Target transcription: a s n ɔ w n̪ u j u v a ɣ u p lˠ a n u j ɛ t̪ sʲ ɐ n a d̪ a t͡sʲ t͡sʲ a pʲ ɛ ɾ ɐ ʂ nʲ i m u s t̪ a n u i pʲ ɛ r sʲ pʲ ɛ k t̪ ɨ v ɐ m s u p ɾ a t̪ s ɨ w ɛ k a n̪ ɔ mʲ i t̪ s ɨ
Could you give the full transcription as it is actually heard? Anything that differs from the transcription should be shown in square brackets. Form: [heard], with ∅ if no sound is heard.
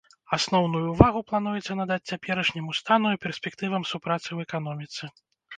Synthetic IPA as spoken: a s n ɔ w n̪ u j u v a ɣ u p lˠ a n u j ɛ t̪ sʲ ɐ n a d̪ a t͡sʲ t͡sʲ a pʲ ɛ ɾ ɐ ʂ nʲ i m u s t̪ a n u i pʲ ɛ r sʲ pʲ ɛ k t̪ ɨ v ɐ m s u p ɾ a t̪ s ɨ w ɛ k a n̪ ɔ mʲ i t̪ s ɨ

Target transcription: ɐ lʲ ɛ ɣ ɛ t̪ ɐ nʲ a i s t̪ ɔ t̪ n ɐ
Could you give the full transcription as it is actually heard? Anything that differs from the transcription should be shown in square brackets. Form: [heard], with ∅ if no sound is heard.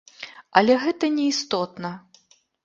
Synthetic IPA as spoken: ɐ lʲ ɛ ɣ ɛ t̪ ɐ nʲ [ɛ] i s t̪ ɔ t̪ n ɐ

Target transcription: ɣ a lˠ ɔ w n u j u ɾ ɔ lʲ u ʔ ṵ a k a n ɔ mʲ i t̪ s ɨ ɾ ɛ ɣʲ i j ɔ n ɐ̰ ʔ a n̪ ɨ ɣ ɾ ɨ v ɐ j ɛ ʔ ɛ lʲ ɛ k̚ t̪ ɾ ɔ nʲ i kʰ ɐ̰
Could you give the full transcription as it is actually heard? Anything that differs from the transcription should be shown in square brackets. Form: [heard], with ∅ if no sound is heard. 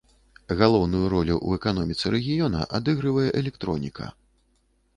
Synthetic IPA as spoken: ɣ a lˠ ɔ w n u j u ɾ ɔ lʲ u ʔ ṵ [ɛ] k a n ɔ mʲ i t̪ s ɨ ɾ ɛ ɣʲ i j ɔ n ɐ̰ ʔ a [d̪] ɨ ɣ ɾ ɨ v ɐ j ɛ ʔ ɛ lʲ ɛ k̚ t̪ ɾ ɔ nʲ i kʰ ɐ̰

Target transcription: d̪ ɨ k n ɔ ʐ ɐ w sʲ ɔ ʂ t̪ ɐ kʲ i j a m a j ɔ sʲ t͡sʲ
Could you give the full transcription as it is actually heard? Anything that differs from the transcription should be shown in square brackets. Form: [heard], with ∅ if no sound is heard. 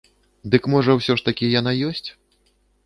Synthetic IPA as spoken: d̪ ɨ k [m] ɔ ʐ ɐ w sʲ ɔ ʂ t̪ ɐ kʲ i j a [n] a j ɔ sʲ t͡sʲ

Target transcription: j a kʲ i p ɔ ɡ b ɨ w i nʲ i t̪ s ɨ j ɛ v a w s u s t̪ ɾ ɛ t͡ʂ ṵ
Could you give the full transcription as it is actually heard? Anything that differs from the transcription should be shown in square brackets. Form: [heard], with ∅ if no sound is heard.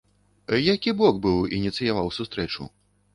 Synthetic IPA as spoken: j a kʲ i [b] ɔ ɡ b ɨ w i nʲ i t̪ s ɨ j [a] v a w s u s t̪ ɾ ɛ t͡ʂ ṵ

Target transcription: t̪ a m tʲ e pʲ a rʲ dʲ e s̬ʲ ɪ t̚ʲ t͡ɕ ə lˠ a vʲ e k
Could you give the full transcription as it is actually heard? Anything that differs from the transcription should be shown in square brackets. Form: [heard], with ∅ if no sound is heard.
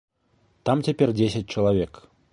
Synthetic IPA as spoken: t̪ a m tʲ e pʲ [e] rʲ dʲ e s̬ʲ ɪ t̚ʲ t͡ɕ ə lˠ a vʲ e k

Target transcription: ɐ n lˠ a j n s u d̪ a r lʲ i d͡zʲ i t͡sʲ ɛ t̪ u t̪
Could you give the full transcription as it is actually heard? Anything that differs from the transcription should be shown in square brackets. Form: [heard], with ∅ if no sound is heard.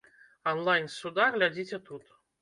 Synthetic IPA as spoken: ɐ n lˠ a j n s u d̪ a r lʲ [a] d͡zʲ i t͡sʲ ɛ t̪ u t̪

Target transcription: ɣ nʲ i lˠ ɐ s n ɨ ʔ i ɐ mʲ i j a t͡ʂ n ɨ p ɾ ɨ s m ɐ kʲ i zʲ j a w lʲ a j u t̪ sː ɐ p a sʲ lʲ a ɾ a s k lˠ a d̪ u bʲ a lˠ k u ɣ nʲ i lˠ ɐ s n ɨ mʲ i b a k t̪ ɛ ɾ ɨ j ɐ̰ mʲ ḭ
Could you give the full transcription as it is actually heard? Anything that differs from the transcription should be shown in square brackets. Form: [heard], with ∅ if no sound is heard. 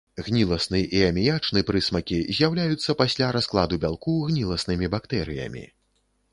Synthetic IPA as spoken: ɣ nʲ i lˠ ɐ s n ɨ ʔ i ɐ mʲ i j a t͡ʂ n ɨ p ɾ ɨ s m ɐ kʲ i zʲ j a w lʲ a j u t̪ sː ɐ p a sʲ lʲ a ɾ a s k lˠ a d̪ u bʲ a lˠ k u ɣ nʲ i lˠ ɐ s n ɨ mʲ i b a k t̪ ɛ ɾ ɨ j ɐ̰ mʲ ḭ

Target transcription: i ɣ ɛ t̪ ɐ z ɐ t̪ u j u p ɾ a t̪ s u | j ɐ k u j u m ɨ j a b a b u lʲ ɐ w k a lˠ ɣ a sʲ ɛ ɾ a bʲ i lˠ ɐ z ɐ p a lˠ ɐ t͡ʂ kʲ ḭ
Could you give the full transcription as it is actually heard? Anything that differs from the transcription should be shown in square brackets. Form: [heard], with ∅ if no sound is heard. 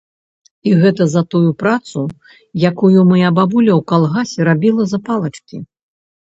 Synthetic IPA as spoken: i ɣ ɛ t̪ ɐ z ɐ t̪ u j u p ɾ a t̪ s u | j [a] k u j u m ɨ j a b a b u lʲ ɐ w k a lˠ ɣ a sʲ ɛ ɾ a bʲ i lˠ ɐ z ɐ p a lˠ ɐ t͡ʂ kʲ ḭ

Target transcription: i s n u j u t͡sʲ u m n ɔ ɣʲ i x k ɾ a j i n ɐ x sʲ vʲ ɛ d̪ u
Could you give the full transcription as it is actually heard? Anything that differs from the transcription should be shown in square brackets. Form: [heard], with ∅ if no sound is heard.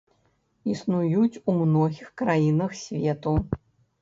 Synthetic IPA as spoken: i s n u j u t͡sʲ u m n ɔ ɣʲ i x k ɾ a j i n ɐ x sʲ vʲ ɛ [t̪] u

